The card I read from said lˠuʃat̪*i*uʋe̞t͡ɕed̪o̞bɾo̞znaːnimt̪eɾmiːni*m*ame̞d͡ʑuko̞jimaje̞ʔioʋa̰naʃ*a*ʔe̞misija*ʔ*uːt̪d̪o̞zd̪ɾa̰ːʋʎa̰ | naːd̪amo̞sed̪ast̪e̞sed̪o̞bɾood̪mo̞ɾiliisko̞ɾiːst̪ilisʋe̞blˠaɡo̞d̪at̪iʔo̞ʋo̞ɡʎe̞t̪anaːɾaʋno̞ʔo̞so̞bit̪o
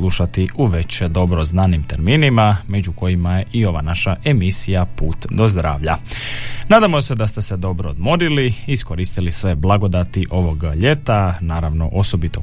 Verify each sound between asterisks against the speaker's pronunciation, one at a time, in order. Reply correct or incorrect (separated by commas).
correct, correct, correct, incorrect